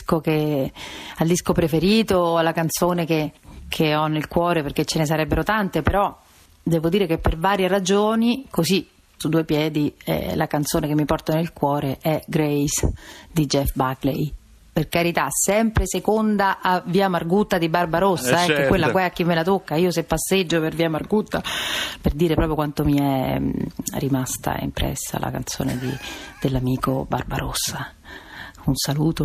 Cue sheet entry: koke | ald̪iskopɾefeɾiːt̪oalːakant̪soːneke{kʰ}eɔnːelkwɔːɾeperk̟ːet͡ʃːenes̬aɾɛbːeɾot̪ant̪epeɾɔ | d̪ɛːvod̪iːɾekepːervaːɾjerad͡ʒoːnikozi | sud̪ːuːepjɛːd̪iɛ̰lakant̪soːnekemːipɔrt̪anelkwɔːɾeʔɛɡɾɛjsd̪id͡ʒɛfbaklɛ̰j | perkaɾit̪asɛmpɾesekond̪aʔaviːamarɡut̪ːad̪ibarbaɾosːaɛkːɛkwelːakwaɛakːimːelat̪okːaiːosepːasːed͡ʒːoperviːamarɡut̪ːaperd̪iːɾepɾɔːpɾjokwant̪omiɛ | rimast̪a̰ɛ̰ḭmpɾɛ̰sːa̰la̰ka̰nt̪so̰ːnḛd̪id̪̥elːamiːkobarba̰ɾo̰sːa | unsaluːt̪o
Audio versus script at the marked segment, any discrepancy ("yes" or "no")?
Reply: no